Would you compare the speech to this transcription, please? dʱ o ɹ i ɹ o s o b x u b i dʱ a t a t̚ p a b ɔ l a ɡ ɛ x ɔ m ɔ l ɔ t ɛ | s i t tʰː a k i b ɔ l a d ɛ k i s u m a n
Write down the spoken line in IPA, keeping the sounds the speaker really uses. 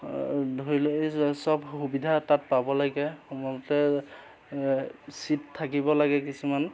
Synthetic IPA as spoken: dʱ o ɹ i l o s ɔ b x u b i dʱ a t a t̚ p a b ɔ l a ɡ ɛ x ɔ m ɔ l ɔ t ɛ | s i t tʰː a k i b ɔ l a ɡ ɛ k i s u m a n